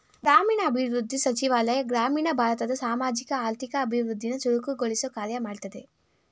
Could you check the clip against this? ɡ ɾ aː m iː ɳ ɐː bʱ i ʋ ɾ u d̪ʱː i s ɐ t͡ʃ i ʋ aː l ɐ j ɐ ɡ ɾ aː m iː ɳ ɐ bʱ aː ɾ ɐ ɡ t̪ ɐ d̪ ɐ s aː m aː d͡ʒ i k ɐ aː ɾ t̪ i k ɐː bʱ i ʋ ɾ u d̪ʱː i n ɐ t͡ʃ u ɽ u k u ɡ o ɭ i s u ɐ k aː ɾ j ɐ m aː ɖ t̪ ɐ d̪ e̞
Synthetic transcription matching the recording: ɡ ɾ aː m iː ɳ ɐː bʱ i ʋ ɾ u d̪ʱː i s ɐ t͡ʃ i ʋ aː l ɐ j ɐ ɡ ɾ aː m iː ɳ ɐ bʱ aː ɾ ɐ t̪ ɐ d̪ ɐ s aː m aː d͡ʒ i k ɐ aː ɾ t̪ i k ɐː bʱ i ʋ ɾ u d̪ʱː i n ɐ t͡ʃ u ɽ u k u ɡ o ɭ i s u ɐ k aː ɾ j ɐ m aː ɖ t̪ ɐ d̪ e̞